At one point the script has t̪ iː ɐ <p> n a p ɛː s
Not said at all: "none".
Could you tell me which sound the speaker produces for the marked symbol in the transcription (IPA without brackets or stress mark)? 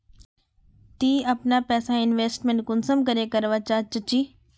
p